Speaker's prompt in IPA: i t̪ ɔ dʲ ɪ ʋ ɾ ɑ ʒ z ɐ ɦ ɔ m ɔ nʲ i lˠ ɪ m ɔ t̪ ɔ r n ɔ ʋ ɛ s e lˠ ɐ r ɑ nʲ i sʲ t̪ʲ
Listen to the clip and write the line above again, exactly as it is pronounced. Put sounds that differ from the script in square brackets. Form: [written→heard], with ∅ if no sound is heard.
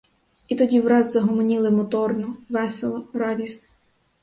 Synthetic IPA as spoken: i t̪ ɔ dʲ [ɪ→i] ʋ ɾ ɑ [ʒ→z] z ɐ ɦ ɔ m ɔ nʲ i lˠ ɪ m ɔ t̪ ɔ r n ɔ ʋ ɛ s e lˠ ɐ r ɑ [nʲ→dʲ] i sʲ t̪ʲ